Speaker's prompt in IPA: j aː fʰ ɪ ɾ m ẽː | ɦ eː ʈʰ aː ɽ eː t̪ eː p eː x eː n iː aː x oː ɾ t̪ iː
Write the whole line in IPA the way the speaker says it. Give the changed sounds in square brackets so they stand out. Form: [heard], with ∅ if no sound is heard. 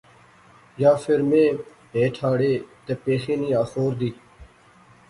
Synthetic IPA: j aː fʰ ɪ ɾ m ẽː | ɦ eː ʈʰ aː ɽ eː t̪ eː p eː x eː n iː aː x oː ɾ [d̪] iː

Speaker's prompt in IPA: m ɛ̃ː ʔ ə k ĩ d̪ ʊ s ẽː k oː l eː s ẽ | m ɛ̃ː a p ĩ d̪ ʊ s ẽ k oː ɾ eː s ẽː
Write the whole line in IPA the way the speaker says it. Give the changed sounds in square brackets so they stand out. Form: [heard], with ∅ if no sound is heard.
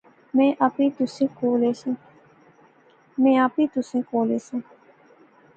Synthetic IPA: m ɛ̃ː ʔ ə [p] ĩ [t̪] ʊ s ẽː k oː l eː s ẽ | m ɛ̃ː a p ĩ [t̪] ʊ s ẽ k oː [l] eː s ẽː

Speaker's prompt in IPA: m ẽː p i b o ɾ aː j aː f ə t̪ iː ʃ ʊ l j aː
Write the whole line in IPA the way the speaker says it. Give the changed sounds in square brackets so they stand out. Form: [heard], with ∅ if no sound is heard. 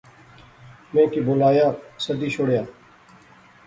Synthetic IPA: m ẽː [k] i b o [l] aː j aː [s] ə [d̪] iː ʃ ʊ [ɽ] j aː

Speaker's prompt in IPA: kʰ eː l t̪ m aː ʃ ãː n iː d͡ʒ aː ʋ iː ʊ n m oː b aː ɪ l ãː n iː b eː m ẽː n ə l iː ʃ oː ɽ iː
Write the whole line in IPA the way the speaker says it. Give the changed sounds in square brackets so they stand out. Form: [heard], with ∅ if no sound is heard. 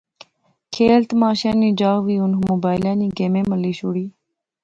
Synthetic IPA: kʰ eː l t̪ m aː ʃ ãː n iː d͡ʒ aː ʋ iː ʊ n m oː b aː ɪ l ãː n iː [ɡ] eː m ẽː [m] ə l iː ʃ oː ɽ iː

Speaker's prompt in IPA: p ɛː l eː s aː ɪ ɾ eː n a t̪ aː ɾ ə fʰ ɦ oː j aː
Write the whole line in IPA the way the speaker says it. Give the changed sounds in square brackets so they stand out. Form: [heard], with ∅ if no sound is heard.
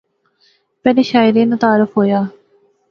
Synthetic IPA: p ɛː l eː [ʃ] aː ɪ ɾ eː n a t̪ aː ɾ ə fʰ ɦ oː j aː

